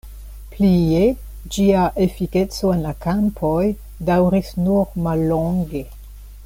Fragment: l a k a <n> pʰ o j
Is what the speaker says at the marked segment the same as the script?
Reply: no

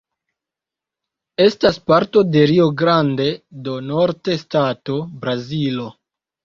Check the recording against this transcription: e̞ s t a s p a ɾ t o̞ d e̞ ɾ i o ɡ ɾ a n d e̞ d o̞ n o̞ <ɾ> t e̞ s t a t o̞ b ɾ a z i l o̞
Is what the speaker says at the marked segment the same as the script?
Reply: yes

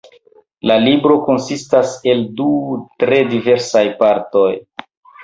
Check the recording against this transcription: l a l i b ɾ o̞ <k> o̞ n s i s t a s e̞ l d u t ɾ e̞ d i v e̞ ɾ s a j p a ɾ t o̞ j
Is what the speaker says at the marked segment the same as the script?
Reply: yes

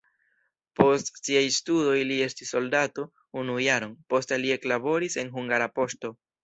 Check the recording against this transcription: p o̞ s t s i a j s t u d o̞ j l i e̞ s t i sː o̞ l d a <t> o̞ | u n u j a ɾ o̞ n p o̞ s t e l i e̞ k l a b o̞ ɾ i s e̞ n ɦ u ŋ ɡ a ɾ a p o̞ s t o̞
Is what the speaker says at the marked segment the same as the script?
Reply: yes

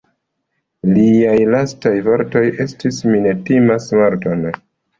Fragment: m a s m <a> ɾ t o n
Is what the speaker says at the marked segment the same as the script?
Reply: yes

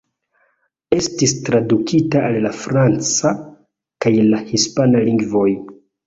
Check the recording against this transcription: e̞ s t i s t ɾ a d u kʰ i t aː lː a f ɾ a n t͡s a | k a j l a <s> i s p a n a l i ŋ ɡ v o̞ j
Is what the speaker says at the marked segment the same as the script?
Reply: no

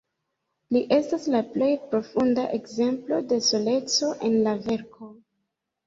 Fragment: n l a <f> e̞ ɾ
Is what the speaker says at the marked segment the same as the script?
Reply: no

